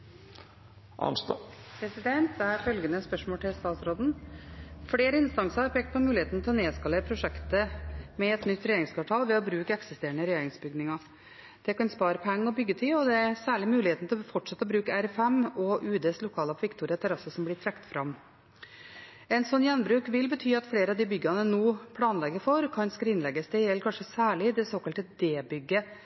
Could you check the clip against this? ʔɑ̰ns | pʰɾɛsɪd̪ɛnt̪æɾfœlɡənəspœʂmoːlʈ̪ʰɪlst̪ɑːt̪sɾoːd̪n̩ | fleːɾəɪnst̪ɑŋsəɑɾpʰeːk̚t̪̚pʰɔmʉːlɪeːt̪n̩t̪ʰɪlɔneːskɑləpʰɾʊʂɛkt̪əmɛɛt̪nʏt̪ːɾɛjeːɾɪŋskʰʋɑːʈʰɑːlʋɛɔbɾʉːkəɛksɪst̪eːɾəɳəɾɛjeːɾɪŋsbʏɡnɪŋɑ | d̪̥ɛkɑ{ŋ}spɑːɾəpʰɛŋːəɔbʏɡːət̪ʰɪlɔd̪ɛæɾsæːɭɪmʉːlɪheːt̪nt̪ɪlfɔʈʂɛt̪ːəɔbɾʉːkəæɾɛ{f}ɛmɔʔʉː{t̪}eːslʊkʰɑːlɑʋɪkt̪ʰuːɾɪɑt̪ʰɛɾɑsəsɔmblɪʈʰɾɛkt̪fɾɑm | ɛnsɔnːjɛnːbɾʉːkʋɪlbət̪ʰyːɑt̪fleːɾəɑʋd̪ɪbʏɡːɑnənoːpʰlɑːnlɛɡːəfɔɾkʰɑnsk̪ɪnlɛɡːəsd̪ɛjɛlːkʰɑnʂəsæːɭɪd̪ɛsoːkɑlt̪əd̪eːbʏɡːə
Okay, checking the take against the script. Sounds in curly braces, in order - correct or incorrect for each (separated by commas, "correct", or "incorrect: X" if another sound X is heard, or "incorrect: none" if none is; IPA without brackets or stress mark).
incorrect: n, correct, incorrect: d̪